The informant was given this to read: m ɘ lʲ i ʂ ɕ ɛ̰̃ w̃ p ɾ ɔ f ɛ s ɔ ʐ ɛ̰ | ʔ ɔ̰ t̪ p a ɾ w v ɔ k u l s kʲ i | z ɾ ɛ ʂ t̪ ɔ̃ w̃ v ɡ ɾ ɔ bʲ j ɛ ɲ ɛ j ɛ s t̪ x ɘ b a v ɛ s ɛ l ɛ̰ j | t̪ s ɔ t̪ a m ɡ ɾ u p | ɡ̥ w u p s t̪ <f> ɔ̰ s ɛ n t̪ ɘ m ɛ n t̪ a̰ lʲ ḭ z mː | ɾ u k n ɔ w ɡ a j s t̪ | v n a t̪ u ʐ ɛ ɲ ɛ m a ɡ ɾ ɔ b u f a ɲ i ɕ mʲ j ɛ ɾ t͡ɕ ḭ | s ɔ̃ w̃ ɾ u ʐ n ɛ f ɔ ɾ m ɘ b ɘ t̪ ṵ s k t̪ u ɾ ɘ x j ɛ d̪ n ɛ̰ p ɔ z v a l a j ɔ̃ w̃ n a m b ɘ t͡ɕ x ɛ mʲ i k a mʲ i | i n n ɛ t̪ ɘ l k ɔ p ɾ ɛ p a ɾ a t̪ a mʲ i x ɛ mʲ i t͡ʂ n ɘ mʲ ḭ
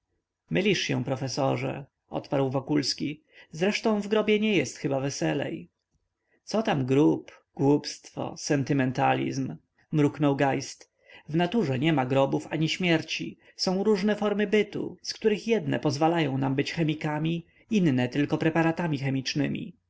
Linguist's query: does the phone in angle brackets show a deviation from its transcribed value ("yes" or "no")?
no